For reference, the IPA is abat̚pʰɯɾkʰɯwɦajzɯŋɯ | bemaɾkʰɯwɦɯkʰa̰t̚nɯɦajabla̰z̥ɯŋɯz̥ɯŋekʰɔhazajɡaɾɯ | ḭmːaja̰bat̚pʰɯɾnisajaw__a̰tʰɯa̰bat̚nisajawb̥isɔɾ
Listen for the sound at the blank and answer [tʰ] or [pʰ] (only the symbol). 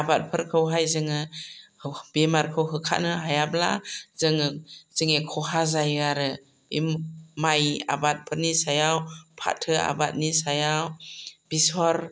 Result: pʰ